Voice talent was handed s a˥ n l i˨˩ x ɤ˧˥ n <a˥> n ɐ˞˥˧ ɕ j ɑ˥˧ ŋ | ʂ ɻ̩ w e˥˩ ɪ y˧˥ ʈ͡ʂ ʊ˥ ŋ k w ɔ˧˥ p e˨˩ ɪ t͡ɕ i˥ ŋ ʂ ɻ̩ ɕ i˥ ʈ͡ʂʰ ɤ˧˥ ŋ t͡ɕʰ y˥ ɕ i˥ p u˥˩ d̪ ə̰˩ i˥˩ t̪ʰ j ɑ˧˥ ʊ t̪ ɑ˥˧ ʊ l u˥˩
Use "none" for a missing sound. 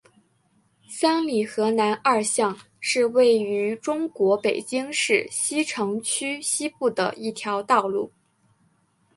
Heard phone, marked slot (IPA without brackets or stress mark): a˧˥